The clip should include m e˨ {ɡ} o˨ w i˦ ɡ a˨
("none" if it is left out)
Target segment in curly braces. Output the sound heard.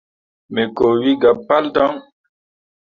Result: k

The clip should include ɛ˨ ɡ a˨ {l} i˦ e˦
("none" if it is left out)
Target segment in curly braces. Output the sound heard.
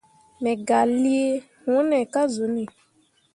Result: l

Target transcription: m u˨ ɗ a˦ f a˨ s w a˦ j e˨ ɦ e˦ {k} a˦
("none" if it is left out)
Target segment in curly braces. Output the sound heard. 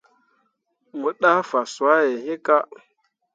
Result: k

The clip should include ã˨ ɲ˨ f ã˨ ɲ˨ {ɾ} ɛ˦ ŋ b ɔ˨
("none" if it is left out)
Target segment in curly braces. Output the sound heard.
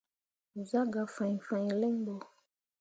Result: l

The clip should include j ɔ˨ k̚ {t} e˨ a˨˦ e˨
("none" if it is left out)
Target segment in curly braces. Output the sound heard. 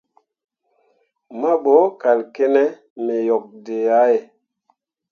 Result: d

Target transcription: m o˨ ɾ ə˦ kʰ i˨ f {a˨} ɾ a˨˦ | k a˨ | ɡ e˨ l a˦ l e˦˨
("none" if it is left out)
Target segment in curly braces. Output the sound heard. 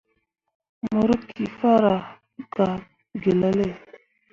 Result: a˦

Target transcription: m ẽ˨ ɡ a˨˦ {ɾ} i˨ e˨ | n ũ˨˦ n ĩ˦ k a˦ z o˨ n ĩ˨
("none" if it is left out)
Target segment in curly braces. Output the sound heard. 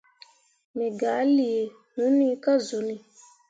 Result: l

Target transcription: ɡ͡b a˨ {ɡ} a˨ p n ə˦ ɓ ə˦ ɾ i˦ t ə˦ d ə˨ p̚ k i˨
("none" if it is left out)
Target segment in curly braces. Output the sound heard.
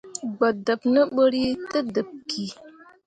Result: d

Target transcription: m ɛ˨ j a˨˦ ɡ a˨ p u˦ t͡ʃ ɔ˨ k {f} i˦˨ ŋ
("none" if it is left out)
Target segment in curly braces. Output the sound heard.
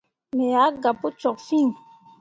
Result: f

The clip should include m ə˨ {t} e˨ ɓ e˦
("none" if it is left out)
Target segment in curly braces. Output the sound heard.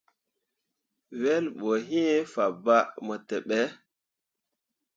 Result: t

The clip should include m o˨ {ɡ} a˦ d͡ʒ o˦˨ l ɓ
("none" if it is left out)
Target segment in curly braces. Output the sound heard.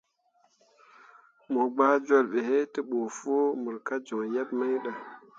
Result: ɡ͡b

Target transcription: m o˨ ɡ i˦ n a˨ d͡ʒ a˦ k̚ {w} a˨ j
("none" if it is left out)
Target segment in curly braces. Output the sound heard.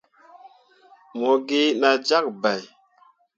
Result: b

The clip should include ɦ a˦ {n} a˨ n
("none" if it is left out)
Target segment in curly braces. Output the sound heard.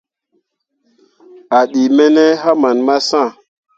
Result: m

